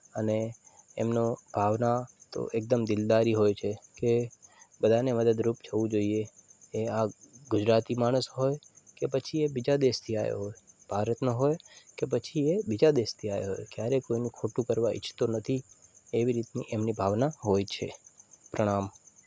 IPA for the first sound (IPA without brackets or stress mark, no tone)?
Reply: ə